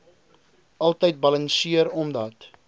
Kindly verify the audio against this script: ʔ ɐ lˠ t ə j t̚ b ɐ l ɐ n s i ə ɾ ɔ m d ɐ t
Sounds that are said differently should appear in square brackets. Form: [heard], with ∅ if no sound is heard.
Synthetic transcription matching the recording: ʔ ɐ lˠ t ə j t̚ b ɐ l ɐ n s i ə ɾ ɔ m d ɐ t